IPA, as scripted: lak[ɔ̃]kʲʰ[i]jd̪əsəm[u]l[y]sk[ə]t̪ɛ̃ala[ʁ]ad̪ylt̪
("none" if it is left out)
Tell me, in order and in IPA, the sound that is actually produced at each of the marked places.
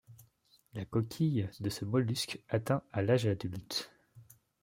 ɔ, i, ɔ, y, a, ʒ

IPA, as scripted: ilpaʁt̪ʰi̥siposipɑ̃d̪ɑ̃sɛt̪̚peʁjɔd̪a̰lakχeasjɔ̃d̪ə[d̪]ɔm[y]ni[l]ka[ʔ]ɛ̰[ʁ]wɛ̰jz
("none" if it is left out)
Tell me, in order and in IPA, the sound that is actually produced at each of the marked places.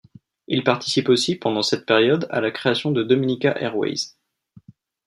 d̪, i, none, ʔ, ʁ

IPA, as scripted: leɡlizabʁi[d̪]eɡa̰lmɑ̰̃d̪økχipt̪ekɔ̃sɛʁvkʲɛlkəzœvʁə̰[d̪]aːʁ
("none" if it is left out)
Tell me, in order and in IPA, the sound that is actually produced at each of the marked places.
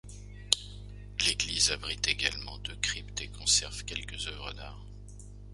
t̪, d̪

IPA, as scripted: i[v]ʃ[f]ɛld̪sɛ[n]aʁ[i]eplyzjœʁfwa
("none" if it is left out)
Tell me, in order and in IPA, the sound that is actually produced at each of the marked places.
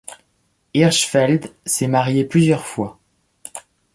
ʁ, f, m, j

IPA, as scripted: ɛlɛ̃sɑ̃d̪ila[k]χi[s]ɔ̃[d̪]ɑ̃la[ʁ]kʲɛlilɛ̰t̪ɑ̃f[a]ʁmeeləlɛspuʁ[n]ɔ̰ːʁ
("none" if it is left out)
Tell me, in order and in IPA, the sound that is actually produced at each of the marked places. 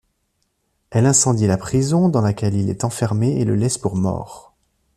p, z, d̪, none, ɛ, m

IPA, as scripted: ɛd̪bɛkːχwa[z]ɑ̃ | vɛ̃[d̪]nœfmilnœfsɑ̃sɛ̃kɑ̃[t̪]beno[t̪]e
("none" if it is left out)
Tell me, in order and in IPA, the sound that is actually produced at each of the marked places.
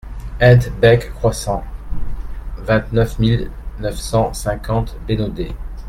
s, t̪, t̪, d̪

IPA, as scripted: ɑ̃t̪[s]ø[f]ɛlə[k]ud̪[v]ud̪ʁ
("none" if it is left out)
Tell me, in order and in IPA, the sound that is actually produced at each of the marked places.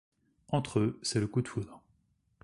χ, s, k, f

